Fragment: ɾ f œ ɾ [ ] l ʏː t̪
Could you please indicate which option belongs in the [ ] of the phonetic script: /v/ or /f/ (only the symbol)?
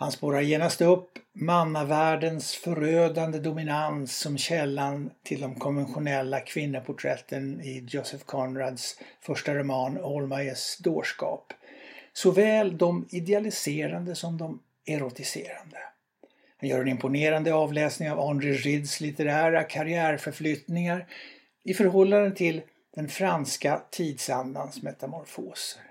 f